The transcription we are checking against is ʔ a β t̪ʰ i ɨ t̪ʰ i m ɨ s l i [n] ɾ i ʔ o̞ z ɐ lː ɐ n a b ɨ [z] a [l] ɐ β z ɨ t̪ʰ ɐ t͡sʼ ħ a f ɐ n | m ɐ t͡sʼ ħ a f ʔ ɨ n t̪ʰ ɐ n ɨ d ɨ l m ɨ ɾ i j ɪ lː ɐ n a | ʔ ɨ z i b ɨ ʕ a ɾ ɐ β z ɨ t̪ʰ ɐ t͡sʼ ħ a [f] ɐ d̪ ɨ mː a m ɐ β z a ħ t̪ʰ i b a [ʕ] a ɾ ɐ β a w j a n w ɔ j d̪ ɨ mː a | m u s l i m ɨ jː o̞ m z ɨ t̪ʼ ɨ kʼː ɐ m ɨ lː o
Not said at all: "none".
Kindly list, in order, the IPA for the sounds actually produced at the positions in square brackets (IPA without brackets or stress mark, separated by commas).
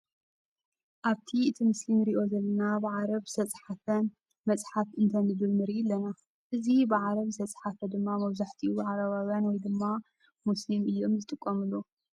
m, ʕ, ɾ, f, ʕ